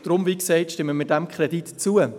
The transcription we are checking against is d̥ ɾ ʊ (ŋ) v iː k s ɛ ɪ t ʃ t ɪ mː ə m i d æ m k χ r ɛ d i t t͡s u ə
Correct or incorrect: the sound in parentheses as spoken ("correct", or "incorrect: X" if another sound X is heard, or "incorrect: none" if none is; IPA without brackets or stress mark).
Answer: incorrect: m